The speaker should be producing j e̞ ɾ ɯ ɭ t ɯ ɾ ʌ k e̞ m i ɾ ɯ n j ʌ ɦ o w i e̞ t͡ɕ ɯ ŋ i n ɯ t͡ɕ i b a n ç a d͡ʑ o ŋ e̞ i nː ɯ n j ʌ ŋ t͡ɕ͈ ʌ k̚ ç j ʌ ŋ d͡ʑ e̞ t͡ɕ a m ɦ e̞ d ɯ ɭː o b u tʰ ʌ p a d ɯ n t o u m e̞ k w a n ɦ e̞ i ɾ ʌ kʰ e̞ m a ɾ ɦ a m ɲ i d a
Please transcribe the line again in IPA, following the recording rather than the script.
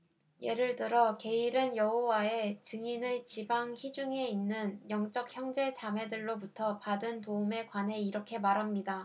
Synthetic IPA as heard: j e̞ ɾ ɯ ɭ t ɯ ɾ ʌ k e̞ i ɾ ɯ n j ʌ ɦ o w a e̞ t͡ɕ ɯ ŋ i n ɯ t͡ɕ i b a ŋ ç i d͡ʑ u ŋ e̞ i nː ɯ n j ʌ ŋ t͡ɕ͈ ʌ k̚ ç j ʌ ŋ d͡ʑ e̞ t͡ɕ a m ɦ e̞ d ɯ ɭː o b u tʰ ʌ p a d ɯ n t o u m e̞ k w a n ɦ e̞ i ɾ ʌ kʰ e̞ m a ɾ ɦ a m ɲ i d a